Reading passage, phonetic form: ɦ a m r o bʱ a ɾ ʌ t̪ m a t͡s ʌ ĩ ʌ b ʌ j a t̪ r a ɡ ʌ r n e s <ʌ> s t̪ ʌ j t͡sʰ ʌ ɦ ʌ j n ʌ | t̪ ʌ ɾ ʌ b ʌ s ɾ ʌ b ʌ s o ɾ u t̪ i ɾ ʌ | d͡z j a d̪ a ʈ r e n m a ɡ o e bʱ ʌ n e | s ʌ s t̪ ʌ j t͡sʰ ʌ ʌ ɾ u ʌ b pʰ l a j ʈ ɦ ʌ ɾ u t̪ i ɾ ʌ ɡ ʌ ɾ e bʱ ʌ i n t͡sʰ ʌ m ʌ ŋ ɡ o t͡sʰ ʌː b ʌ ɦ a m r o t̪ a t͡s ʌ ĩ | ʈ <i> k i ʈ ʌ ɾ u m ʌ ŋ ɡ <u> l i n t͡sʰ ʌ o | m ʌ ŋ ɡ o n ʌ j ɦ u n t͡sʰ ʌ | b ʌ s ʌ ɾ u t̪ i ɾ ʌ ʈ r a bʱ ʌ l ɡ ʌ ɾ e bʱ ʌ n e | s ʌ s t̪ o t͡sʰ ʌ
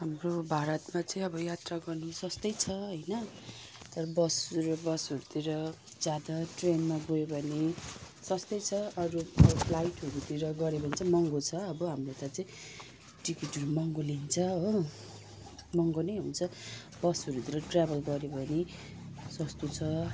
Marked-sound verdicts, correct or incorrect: correct, correct, incorrect: o

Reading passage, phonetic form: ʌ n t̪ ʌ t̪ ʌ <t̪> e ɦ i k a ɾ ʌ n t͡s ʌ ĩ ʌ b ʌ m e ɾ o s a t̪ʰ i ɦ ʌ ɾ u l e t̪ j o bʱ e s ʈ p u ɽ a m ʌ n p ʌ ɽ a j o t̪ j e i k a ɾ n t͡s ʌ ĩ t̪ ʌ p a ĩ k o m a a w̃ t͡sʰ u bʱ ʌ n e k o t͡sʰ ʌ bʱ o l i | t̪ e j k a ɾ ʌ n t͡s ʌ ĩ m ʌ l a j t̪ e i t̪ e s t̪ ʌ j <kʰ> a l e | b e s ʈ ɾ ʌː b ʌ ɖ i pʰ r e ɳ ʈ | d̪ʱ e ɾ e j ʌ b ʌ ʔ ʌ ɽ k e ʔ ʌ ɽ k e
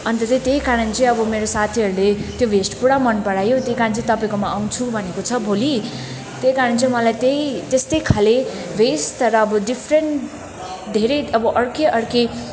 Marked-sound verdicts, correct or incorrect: correct, correct

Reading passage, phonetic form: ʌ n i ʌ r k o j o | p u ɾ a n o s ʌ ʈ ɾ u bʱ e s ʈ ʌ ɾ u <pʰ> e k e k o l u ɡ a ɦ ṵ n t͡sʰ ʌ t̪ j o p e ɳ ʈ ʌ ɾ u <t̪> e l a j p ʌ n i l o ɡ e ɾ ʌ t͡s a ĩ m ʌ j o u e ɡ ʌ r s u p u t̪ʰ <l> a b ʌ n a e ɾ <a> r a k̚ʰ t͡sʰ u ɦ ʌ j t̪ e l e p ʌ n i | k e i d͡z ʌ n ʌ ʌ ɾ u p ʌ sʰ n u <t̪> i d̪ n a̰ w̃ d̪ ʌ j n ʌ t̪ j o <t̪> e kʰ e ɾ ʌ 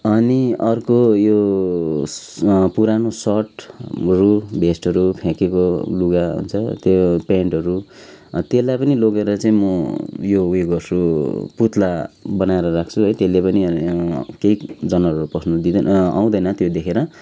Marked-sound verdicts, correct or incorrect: correct, correct, correct, incorrect: ʌ, incorrect: d̪, incorrect: d̪

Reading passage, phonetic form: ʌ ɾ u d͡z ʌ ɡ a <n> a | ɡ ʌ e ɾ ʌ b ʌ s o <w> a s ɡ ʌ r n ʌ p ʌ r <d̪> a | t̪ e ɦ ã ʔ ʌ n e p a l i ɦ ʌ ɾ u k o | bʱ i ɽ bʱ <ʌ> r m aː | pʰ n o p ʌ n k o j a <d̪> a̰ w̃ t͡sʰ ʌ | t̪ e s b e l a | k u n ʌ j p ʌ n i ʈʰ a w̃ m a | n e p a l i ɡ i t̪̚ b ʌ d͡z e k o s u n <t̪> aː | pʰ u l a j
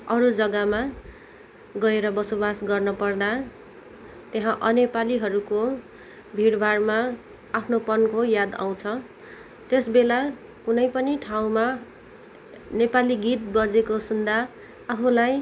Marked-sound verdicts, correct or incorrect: incorrect: m, incorrect: b, correct, incorrect: a, correct, incorrect: d̪

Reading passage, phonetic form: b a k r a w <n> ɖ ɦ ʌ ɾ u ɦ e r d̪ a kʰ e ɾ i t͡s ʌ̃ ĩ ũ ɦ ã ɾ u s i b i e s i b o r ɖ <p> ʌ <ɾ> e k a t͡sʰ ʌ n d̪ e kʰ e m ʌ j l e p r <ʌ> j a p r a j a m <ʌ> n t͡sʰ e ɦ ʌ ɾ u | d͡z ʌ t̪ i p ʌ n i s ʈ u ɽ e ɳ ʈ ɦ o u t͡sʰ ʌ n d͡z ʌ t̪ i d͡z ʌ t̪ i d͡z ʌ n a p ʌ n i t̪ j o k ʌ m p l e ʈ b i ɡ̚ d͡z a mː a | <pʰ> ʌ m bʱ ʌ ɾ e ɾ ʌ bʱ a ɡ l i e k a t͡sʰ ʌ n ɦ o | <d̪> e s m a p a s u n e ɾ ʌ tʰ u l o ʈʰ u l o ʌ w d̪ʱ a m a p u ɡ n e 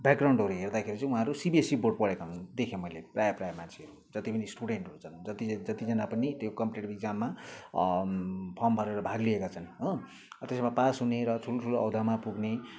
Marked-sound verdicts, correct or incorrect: incorrect: ɳ, correct, incorrect: ɽ, incorrect: a, incorrect: a, correct, incorrect: t̪

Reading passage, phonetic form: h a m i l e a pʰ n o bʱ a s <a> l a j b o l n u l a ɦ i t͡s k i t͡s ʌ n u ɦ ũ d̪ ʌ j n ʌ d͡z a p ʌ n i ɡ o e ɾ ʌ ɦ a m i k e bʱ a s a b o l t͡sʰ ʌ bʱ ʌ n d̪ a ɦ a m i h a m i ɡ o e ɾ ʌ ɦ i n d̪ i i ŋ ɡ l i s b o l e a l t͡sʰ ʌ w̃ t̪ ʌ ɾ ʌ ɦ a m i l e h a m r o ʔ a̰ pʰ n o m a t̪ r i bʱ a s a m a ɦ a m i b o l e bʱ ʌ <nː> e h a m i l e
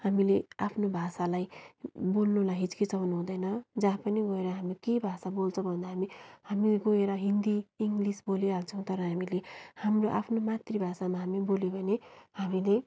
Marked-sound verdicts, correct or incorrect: correct, incorrect: n

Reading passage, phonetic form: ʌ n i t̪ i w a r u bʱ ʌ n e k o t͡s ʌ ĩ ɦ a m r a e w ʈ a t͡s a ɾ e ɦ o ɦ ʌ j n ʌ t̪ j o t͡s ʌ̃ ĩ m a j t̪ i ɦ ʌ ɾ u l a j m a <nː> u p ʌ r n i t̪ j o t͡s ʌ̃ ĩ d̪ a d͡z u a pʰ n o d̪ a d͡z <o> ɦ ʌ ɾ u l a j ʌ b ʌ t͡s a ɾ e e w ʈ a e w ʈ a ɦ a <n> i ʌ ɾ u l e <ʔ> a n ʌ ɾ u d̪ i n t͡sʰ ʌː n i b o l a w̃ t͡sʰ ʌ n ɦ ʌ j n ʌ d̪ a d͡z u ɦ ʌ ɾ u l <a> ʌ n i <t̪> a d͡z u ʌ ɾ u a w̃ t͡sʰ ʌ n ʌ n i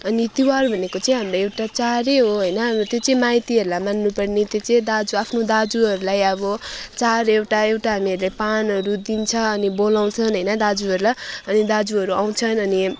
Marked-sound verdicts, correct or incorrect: correct, incorrect: u, incorrect: m, incorrect: p, correct, incorrect: d̪

